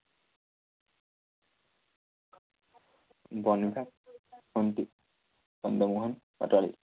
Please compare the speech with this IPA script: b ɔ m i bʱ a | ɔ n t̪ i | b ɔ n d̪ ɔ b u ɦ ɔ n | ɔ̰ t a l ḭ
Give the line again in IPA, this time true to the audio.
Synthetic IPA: b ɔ n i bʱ a | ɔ n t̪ i | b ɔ n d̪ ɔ m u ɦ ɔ n | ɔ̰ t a l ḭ